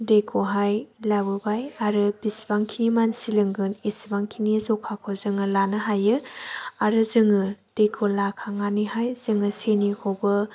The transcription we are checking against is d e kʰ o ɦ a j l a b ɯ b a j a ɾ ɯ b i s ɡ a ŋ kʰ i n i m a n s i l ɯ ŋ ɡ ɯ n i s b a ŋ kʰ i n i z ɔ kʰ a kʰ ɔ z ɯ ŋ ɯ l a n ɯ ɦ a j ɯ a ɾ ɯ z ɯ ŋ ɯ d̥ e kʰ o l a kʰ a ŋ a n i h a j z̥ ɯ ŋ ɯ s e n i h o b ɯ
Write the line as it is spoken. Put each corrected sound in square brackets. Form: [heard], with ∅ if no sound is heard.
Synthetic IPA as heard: d e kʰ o ɦ a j l a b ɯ b a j a ɾ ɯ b i s [b] a ŋ kʰ i n i m a n s i l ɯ ŋ ɡ ɯ n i s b a ŋ kʰ i n i z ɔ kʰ a kʰ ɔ z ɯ ŋ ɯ l a n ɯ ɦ a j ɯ a ɾ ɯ z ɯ ŋ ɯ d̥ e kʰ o l a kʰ a ŋ a n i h a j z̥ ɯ ŋ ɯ s e n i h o b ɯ